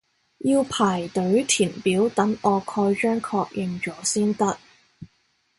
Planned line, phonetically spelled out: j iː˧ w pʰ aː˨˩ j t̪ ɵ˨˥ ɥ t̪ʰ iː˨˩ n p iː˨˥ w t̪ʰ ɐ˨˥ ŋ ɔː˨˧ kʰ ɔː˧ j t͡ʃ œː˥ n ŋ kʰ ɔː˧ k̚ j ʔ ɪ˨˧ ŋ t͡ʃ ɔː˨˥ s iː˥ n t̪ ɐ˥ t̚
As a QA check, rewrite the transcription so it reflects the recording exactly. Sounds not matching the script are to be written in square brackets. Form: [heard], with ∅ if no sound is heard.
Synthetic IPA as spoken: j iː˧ w pʰ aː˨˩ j t̪ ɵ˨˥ ɥ t̪ʰ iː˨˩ n p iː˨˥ w [t̪] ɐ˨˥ ŋ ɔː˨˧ kʰ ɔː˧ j t͡ʃ œː˥ [∅] ŋ kʰ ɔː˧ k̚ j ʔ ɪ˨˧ ŋ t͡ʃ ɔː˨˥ s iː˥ n t̪ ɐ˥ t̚